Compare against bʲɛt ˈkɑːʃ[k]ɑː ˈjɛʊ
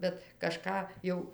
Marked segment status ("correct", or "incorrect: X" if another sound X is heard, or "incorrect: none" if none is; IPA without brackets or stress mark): correct